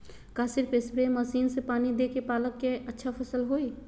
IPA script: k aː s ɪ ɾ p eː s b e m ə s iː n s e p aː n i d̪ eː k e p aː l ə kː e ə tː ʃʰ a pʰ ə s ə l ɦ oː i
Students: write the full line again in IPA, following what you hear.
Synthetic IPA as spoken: k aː s ɪ ɾ p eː s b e m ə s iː n s e p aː n i d̪ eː k e p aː l ə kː e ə tː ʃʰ a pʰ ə s ə l ɦ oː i